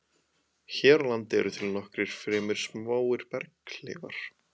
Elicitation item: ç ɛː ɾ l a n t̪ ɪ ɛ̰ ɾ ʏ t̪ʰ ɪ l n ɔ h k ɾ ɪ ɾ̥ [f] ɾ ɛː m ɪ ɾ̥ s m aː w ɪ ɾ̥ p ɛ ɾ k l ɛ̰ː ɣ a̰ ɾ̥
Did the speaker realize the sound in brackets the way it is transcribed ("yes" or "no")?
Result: yes